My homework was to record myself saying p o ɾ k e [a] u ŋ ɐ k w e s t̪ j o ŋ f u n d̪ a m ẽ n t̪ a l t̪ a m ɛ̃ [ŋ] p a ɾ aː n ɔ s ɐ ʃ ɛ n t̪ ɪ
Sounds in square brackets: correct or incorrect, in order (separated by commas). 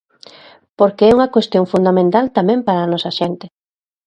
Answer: incorrect, incorrect